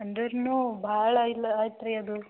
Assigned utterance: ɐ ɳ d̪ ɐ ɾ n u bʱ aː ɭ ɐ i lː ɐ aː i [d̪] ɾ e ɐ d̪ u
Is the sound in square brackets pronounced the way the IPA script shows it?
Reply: no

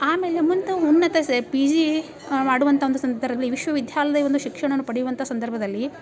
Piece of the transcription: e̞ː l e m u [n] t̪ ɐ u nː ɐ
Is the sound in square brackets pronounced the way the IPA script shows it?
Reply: yes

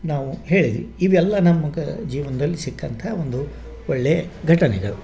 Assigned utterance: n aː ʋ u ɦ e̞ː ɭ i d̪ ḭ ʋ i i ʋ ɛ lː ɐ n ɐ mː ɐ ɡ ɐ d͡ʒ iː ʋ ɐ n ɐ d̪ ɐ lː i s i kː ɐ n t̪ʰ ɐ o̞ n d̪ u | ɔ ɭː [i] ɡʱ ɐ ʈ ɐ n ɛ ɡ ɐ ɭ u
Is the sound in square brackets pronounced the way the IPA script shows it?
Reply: no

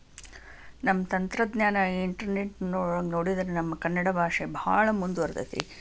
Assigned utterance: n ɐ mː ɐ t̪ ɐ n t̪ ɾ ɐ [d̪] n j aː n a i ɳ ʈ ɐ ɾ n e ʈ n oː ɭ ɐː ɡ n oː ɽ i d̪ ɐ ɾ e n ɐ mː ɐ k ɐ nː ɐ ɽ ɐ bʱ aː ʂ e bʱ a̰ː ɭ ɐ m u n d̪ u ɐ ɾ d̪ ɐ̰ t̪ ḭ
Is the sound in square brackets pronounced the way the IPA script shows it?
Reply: yes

